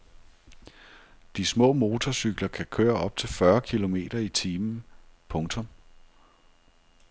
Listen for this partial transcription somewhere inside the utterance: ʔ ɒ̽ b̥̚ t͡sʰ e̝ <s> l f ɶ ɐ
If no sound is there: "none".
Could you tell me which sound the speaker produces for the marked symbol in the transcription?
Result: none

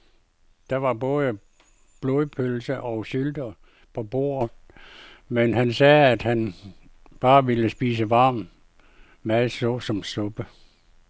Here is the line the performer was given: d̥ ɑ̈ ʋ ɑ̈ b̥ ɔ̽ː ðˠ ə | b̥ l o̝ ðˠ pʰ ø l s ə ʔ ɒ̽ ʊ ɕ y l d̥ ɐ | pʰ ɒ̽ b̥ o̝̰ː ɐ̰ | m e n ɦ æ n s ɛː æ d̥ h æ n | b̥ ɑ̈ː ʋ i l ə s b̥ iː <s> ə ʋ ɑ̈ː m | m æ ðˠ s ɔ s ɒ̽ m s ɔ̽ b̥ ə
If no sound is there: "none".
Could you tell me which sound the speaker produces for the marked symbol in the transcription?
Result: s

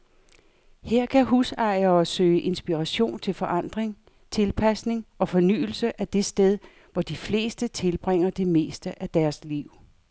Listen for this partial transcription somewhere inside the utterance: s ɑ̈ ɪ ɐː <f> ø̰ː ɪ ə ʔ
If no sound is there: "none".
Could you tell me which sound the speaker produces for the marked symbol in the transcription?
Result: s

